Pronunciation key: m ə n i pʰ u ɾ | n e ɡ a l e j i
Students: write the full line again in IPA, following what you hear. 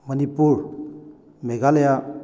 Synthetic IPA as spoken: m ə n i p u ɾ | m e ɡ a l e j a